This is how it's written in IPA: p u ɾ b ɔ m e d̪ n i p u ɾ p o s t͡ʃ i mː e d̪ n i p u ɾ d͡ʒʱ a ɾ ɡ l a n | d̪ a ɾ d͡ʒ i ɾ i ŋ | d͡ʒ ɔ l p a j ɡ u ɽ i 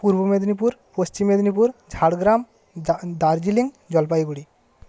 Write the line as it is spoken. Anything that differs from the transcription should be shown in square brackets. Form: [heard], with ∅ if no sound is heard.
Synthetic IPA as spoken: p u ɾ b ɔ m e d̪ n i p u ɾ p o s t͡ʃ i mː e d̪ n i p u ɾ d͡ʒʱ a [ɽ] ɡ [ɾ] a [m] | d̪ a ɾ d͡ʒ i [l] i ŋ | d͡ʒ ɔ l p a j ɡ u ɽ i

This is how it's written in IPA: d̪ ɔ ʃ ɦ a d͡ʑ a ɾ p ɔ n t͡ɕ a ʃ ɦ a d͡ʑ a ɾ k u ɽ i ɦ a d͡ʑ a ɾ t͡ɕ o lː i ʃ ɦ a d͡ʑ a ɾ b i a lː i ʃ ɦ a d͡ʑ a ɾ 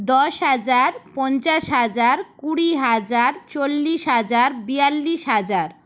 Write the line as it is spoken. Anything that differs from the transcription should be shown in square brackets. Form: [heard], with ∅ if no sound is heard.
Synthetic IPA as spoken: d̪ ɔ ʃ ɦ a d͡ʑ a ɾ p ɔ n t͡ɕ a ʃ ɦ a d͡ʑ a ɾ k u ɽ i ɦ a d͡ʑ a ɾ t͡ɕ o lː i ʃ ɦ a d͡ʑ a ɾ b i a lː i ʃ ɦ a d͡ʑ a ɾ

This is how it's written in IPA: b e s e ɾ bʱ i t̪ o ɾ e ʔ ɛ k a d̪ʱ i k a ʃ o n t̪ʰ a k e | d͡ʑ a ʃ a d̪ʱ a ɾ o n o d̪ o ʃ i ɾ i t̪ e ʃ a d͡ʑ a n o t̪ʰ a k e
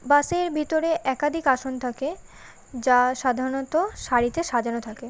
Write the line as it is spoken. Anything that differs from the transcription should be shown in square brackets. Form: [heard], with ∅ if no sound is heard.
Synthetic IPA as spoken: b [a] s e ɾ bʱ i t̪ o ɾ e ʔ ɛ k a d̪ʱ i k a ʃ o n t̪ʰ a k e | d͡ʑ a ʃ a d̪ʱ a ɾ o n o [t̪] o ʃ [a] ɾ i t̪ e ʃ a d͡ʑ a n o t̪ʰ a k e

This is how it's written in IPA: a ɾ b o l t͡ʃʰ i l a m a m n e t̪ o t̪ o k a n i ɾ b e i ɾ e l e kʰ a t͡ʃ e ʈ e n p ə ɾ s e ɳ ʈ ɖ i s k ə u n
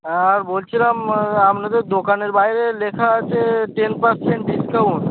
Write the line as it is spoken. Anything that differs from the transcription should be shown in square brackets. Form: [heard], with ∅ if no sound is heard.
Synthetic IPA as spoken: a ɾ b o l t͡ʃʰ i l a m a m n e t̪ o [d̪] o k a n [e] ɾ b [a] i ɾ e l e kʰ a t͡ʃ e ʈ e n p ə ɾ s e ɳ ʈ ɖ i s k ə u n

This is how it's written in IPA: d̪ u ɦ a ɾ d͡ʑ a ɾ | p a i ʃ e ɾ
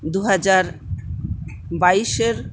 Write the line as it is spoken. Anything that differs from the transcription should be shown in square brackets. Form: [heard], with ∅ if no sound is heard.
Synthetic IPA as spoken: d̪ u ɦ a [∅] d͡ʑ a ɾ | [b] a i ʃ e ɾ

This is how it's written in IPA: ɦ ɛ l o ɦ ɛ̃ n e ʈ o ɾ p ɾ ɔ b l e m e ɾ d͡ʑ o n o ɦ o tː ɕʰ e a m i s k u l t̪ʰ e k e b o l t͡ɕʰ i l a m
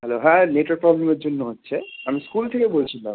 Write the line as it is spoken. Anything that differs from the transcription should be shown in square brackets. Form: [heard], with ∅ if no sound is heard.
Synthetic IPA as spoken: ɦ ɛ l o ɦ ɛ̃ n e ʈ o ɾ p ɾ ɔ b l e m e ɾ d͡ʑ o [nː] o ɦ o tː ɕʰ e a m i s k u l t̪ʰ e k e b o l t͡ɕʰ i l a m

